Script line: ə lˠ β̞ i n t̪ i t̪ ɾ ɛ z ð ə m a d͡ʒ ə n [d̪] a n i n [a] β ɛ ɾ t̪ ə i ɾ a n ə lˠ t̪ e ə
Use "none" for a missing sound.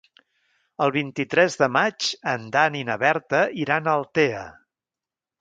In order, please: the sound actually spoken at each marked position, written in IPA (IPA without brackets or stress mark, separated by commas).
d̪, ə